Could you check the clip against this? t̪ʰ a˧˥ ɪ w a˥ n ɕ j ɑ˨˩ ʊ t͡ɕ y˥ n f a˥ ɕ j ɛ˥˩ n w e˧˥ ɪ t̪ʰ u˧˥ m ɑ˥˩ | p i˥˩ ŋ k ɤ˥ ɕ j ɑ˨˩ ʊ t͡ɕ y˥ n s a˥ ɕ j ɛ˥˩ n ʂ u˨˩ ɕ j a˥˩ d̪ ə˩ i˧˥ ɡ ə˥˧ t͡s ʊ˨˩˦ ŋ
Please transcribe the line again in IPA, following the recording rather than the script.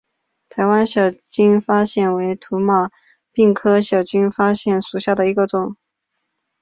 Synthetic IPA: t̪ʰ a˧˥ ɪ w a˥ n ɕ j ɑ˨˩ ʊ t͡ɕ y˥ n f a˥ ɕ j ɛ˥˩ n w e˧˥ ɪ t̪ʰ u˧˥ m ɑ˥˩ | p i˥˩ ŋ kʰ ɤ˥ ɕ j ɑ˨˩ ʊ t͡ɕ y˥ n f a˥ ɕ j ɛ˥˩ n ʂ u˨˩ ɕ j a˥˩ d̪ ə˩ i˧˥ ɡ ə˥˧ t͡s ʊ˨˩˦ ŋ